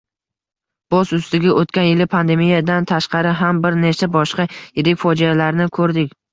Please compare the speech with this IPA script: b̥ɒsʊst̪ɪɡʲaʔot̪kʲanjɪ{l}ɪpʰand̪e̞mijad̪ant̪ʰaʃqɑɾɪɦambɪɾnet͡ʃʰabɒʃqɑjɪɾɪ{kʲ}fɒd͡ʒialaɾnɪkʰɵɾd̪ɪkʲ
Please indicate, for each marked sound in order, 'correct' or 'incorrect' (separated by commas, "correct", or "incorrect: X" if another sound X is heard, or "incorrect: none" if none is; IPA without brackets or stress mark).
correct, correct